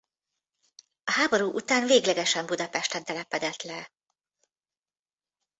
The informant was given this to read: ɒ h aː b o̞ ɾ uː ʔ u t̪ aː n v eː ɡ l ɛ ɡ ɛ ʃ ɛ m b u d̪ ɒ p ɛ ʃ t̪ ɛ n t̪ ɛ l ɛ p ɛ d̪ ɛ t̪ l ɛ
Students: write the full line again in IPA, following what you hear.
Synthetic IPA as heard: ɒ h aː b o̞ ɾ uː ʔ u t̪ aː n v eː ɡ l ɛ ɡ ɛ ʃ ɛ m b u d̪ ɒ p ɛ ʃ t̪ ɛ n t̪ ɛ l ɛ p ɛ d̪ ɛ t̪ l ɛ